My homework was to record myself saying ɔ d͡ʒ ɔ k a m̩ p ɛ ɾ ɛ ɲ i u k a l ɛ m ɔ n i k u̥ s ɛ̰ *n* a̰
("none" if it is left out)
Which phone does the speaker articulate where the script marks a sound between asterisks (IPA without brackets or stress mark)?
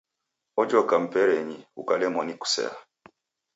none